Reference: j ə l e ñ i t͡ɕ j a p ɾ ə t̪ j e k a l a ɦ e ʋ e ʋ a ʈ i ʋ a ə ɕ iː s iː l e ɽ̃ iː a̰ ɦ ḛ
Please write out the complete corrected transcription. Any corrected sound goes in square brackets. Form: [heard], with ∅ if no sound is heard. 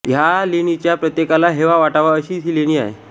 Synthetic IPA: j [a] l e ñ i t͡ɕ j a p ɾ ə t̪ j e k a l a ɦ e ʋ [a] ʋ a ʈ [a] ʋ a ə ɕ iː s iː l e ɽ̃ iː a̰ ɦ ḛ